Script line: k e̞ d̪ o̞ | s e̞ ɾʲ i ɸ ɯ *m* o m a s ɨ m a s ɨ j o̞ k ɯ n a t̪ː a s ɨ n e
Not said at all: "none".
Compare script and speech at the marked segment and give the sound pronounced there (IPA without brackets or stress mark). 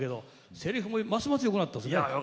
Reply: m